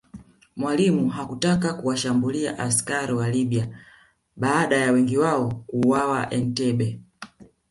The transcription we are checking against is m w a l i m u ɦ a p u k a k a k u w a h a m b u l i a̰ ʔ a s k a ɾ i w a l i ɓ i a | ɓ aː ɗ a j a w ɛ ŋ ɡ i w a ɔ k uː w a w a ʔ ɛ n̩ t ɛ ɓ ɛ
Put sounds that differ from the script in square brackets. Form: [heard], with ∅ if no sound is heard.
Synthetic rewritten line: m w a l i m u ɦ a [k] u [t] a k a k u w a [ʃ] a m b u l i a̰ ʔ a s k a ɾ i w a l i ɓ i a | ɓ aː ɗ a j a w ɛ ŋ ɡ i w a ɔ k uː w a w a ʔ ɛ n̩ t ɛ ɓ ɛ